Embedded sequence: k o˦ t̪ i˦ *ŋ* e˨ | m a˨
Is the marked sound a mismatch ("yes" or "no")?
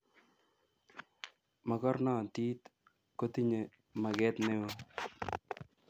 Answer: yes